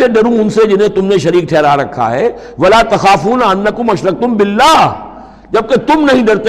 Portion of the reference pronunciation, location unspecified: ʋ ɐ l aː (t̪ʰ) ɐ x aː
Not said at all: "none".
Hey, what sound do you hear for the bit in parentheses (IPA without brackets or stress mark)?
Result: t̪